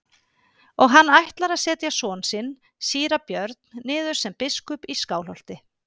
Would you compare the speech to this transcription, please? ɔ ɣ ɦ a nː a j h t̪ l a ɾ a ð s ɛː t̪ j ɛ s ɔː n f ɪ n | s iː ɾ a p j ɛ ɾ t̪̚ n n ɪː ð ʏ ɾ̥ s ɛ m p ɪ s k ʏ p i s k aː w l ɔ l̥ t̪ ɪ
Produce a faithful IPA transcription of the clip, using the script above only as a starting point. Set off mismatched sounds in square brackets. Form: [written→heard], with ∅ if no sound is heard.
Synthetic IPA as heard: ɔ ɣ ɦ a nː a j h t̪ l a ɾ a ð s ɛː t̪ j [ɛ→a] s ɔː n [f→s] ɪ n | s iː ɾ a p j [ɛ→œ] ɾ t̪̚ n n ɪː ð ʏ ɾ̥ s ɛ m p ɪ s k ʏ p i s k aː w l ɔ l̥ t̪ ɪ